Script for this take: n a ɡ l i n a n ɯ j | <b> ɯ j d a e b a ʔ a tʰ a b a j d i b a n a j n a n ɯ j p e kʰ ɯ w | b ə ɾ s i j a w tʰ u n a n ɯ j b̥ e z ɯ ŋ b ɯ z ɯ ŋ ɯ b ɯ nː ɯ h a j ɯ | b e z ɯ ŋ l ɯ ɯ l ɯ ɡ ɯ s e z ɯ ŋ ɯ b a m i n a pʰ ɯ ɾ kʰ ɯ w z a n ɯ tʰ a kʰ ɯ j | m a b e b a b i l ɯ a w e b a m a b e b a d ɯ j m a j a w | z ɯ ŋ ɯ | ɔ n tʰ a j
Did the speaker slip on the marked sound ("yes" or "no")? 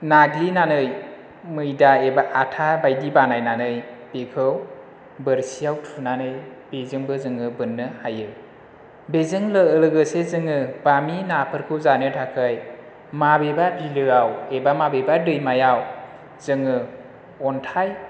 yes